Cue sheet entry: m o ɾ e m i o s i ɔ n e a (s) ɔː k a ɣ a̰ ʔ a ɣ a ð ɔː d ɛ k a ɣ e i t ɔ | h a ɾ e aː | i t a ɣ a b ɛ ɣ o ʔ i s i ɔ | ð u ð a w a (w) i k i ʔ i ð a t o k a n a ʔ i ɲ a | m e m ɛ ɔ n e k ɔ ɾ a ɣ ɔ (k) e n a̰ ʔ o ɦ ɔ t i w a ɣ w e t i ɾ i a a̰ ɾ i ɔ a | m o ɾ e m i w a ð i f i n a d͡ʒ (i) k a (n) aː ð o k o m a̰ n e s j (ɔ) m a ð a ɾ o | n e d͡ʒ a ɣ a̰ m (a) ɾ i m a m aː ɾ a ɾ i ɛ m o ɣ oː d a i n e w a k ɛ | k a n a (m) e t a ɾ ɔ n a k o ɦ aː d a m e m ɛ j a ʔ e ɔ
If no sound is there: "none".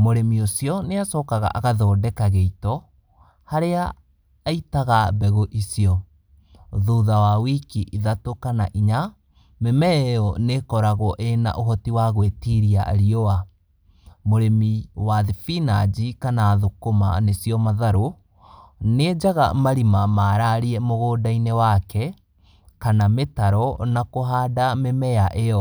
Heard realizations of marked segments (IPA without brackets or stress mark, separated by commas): s, w, ʔ, i, n, ɔ, a, m